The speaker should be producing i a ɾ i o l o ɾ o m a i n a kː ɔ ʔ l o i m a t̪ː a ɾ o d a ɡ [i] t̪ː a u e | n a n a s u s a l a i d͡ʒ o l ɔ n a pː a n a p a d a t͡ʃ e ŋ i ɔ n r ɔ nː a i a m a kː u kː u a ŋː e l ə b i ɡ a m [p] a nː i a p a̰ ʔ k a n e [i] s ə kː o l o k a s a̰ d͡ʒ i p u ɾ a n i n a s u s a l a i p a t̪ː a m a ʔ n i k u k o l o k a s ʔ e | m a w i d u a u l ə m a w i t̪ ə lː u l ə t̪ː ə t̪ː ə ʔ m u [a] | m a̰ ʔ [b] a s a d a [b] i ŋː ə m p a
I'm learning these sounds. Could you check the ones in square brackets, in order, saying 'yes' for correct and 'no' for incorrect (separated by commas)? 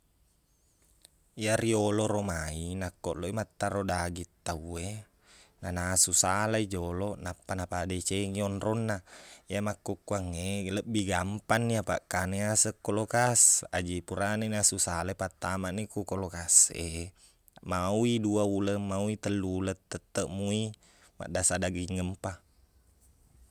yes, yes, no, no, no, no